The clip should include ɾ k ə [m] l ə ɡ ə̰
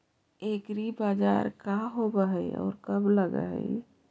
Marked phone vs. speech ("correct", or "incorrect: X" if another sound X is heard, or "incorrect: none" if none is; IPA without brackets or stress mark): incorrect: b